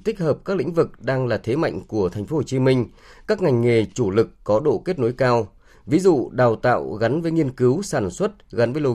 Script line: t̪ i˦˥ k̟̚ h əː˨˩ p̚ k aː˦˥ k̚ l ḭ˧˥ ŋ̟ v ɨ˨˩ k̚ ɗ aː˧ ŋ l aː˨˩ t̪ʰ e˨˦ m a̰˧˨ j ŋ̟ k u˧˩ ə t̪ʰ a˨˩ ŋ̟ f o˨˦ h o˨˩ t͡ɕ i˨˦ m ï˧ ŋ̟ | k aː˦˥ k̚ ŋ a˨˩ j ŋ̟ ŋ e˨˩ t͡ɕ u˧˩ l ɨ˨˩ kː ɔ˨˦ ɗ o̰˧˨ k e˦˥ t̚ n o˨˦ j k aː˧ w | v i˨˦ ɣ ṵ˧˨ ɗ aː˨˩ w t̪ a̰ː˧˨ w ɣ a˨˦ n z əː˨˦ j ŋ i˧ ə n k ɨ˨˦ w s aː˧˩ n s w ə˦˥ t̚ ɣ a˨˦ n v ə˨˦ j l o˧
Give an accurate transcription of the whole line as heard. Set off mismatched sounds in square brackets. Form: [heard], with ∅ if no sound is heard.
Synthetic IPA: t̪ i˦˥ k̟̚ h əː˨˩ p̚ k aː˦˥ k̚ l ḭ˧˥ ŋ̟ v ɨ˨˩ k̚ ɗ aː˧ ŋ l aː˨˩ t̪ʰ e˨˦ m a̰˧˨ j ŋ̟ k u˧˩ ə t̪ʰ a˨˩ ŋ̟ f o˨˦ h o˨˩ t͡ɕ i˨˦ m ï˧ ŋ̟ | k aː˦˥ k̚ ŋ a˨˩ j ŋ̟ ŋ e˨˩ t͡ɕ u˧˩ l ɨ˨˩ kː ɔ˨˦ ɗ o̰˧˨ k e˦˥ t̚ n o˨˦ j k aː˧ w | v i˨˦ [z] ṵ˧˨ ɗ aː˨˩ w t̪ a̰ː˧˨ w ɣ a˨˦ n [v] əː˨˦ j ŋ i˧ ə n k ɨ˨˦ w s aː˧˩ n s w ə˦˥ t̚ ɣ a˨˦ n v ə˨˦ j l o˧